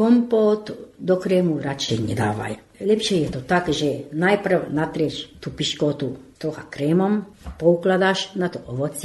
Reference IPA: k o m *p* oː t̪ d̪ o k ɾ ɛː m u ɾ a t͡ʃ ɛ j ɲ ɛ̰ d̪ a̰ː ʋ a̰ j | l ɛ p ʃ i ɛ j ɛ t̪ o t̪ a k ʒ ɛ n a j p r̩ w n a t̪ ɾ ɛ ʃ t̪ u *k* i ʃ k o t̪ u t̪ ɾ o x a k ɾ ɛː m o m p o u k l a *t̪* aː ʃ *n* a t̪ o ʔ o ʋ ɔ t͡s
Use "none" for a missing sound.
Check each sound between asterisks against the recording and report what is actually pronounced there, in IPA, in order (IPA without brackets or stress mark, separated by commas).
p, p, d̪, n